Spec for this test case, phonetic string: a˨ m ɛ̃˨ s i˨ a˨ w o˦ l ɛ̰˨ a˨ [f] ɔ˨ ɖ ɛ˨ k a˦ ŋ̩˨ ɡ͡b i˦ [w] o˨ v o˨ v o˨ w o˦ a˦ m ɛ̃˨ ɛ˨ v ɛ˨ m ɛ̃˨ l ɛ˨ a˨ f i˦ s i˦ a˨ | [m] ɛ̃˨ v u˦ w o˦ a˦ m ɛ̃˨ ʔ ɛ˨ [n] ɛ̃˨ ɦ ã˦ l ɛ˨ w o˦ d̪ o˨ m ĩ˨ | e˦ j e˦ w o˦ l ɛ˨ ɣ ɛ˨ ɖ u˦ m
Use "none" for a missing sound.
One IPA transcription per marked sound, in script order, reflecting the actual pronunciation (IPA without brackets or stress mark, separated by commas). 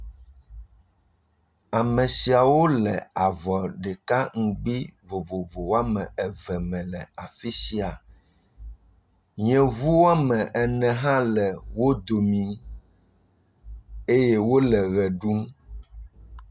v, v, ɲ, n